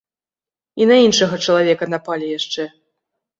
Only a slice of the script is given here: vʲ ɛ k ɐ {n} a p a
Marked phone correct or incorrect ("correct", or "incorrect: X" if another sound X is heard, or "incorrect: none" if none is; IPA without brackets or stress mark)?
correct